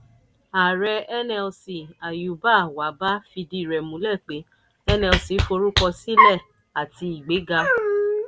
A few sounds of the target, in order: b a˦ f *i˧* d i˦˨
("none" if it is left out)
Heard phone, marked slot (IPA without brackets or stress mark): i˧